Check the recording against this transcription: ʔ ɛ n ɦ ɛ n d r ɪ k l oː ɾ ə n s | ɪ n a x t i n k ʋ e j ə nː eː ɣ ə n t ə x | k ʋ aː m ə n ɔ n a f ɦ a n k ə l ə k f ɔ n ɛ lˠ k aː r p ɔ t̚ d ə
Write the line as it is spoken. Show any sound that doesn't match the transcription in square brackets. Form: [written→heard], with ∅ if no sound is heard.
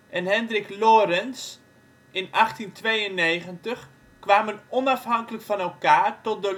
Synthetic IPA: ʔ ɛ n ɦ ɛ n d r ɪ k l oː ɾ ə n s | ɪ n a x t i n [k→t] ʋ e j ə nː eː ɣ ə n t ə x | k ʋ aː m ə n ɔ n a f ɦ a [n→ŋ] k ə l ə k f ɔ n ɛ lˠ k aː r [p→t] ɔ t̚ d ə